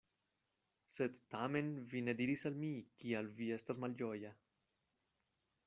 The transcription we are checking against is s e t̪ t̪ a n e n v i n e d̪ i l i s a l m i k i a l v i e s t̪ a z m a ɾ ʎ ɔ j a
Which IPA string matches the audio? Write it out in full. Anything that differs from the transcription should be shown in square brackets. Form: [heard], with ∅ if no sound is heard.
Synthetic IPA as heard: s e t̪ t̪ a [m] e n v i n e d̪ i [ɾ] i s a l m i k i a l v i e s t̪ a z m a [l] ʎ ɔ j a